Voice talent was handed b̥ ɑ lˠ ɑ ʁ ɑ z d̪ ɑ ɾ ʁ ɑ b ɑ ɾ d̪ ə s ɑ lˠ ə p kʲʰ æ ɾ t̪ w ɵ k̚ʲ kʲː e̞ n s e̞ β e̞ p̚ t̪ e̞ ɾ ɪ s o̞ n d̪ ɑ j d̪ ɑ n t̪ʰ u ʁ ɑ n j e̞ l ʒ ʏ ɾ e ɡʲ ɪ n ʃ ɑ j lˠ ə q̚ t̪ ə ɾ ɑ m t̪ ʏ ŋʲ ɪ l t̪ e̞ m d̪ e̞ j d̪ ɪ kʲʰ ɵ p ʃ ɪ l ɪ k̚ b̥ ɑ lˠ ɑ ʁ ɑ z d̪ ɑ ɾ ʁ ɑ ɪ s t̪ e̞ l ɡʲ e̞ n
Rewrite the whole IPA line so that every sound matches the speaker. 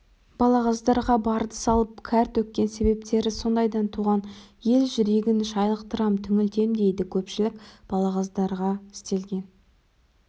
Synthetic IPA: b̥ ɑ lˠ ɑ ʁ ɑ z d̪ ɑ ɾ ʁ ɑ b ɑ ɾ d̪ ə s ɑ lˠ ə p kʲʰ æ ɾ t̪ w ɵ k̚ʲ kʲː e̞ n s e̞ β e̞ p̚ t̪ e̞ ɾ ɪ s o̞ n d̪ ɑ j d̪ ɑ n t̪ʰ u ʁ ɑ n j e̞ l ʒ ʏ ɾ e ɡʲ ɪ n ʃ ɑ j lˠ ə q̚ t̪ ə ɾ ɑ m t̪ʰ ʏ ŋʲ ɪ l t̪ e̞ m d̪ e̞ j d̪ ɪ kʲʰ ɵ p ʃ ɪ l ɪ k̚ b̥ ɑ lˠ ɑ ʁ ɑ z d̪ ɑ ɾ ʁ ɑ ɪ s t̪ e̞ l ɡʲ e̞ n